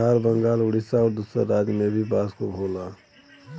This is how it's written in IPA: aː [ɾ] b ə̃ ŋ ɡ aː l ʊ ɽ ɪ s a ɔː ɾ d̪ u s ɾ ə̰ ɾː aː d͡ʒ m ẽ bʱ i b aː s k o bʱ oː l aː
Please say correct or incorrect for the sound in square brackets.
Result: correct